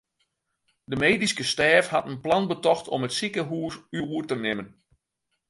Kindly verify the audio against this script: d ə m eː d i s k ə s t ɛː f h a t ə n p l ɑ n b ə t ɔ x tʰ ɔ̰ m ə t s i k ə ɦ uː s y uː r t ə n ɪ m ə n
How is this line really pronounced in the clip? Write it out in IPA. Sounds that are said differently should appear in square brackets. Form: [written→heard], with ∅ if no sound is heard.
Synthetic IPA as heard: d ə m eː d i s k ə s t ɛː f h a t ə n p l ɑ n b ə t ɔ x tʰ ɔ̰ m ə t s i k ə ɦ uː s y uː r t ə n ɪ m ə n